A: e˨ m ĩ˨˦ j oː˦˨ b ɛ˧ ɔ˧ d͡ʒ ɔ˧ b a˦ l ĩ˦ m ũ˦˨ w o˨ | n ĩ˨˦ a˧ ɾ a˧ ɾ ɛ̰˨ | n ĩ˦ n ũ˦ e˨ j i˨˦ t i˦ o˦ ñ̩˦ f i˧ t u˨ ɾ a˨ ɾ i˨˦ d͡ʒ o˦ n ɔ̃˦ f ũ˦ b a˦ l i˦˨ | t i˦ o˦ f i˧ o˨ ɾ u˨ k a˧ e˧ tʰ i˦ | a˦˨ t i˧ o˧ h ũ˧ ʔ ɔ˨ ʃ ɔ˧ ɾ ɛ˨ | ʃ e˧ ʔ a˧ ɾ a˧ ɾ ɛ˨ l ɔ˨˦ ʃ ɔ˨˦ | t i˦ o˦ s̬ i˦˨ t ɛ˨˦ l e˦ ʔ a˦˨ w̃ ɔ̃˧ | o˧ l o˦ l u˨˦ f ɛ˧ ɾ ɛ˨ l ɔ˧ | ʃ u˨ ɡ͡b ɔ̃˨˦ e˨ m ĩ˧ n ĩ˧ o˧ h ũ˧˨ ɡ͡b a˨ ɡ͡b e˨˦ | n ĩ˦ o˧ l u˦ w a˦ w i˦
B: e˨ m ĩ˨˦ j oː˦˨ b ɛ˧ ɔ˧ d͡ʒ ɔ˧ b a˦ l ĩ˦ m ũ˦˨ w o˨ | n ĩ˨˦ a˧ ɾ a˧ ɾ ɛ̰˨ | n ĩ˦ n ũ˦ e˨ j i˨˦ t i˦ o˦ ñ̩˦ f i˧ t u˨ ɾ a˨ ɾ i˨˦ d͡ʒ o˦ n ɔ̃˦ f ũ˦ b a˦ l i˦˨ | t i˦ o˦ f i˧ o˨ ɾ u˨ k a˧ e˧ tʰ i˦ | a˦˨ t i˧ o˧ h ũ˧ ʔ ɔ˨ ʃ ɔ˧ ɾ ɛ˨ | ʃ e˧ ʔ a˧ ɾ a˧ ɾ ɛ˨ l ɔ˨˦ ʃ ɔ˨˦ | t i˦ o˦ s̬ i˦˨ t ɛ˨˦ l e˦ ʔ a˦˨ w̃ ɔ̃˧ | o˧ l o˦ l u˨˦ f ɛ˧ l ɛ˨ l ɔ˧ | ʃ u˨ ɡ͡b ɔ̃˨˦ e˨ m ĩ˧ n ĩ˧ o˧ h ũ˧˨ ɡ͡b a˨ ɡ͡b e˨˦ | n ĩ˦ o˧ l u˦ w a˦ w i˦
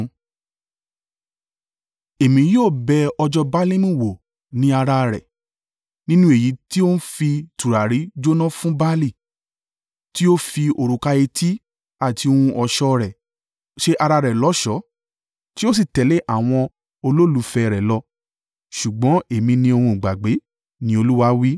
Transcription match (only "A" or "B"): A